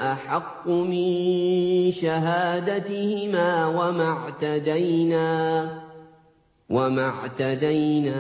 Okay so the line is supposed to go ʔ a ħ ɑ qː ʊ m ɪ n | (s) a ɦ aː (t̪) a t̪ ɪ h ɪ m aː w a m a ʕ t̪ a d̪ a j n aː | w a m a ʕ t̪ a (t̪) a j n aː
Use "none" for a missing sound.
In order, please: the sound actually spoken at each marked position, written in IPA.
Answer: ʃ, d̪, d̪

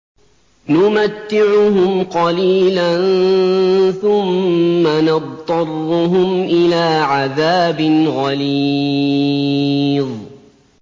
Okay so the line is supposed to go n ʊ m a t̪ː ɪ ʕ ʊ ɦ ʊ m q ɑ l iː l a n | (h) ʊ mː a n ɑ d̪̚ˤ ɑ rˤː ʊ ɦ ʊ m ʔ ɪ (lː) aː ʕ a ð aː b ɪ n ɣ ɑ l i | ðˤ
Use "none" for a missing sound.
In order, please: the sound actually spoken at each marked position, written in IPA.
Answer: θ, l

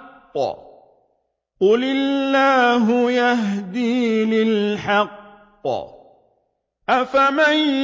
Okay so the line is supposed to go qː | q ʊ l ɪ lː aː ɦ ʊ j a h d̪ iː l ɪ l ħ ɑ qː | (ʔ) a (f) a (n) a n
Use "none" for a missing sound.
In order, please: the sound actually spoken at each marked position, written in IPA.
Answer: ʔ, f, m

